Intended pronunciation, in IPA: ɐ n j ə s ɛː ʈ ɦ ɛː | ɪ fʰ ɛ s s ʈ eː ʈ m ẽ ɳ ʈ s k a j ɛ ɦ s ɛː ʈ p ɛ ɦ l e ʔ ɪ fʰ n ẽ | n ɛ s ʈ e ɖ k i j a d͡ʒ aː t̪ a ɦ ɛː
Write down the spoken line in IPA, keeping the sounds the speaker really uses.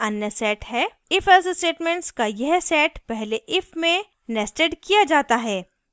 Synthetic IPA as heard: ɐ n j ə s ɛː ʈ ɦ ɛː | ɪ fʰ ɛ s s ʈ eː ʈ m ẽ ɳ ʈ s k a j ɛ ɦ s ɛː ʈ p ɛ ɦ l e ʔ ɪ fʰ m ẽ | n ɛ s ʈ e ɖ k i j a d͡ʒ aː t̪ a ɦ ɛː